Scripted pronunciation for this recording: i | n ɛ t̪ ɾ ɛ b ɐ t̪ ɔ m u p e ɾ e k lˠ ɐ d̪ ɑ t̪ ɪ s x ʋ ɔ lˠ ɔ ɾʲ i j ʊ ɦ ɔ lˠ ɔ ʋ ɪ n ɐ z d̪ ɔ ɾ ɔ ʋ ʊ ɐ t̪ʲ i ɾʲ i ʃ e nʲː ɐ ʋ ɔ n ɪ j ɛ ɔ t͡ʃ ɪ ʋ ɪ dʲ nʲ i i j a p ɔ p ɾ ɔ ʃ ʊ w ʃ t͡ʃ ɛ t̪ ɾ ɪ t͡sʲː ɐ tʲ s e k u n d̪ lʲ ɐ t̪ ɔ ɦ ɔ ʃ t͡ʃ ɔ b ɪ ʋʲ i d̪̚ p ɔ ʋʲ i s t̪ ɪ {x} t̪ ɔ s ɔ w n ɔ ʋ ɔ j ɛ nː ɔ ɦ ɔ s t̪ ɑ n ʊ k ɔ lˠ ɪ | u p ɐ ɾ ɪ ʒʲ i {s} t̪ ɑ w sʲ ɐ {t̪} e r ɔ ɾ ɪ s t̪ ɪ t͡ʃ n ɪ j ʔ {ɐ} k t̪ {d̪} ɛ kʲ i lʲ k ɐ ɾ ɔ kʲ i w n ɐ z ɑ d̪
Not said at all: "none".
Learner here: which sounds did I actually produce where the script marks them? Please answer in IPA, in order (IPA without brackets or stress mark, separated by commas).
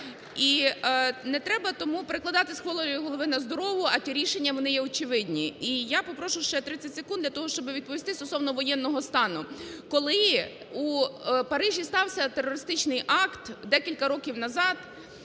s, s, t̪, ɑ, d̪